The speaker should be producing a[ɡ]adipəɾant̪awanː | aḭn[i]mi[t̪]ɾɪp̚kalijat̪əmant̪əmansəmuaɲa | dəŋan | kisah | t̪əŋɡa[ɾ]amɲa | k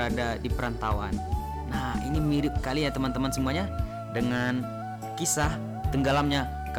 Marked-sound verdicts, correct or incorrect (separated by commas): incorrect, correct, incorrect, incorrect